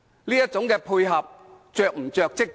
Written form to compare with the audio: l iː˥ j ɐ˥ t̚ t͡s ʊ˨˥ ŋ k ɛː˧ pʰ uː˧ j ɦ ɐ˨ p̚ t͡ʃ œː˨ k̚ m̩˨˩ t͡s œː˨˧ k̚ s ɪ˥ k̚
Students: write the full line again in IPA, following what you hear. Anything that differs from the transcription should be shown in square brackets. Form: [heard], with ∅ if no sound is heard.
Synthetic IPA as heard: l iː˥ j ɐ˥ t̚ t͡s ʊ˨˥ ŋ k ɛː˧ pʰ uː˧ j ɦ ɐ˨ p̚ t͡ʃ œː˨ k̚ m̩˨˩ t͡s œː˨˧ k̚ [t͡s] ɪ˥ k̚